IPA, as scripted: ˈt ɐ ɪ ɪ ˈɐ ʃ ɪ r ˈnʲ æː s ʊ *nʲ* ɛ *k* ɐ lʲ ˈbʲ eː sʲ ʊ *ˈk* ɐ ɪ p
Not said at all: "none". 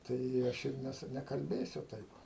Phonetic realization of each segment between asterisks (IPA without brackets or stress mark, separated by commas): nʲ, k, t